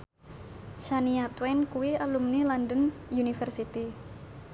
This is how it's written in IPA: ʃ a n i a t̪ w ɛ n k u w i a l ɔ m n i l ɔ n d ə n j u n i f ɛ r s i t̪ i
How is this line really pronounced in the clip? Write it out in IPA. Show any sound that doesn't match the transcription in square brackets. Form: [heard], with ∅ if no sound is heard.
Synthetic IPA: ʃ a n i a t̪ w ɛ n k u w i a l [u] m n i l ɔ n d ə n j u n i f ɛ r s i t̪ i

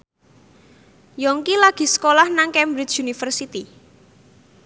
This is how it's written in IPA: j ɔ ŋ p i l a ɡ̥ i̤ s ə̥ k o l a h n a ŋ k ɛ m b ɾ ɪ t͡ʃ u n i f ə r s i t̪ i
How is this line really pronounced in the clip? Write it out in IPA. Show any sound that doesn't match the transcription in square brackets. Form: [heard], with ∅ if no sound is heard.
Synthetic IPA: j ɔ ŋ [k] i l a ɡ̥ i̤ s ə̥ k o l a h n a ŋ k ɛ m b ɾ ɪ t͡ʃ u n i f ə r s i t̪ i

